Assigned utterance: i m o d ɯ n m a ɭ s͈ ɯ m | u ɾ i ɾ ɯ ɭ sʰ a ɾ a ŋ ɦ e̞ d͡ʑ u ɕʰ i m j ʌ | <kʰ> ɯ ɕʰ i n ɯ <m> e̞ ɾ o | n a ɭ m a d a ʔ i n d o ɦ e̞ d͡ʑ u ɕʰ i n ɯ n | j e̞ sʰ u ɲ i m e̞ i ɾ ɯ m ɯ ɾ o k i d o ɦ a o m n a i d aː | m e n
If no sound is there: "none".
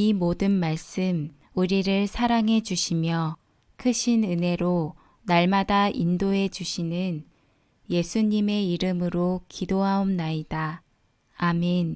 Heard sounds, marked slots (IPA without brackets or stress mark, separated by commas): kʰ, n